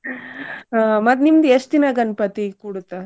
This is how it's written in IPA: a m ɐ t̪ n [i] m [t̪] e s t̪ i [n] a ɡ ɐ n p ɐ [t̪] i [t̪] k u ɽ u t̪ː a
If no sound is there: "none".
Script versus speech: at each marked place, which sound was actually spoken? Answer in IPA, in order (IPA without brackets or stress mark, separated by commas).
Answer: i, d̪, n, t̪, none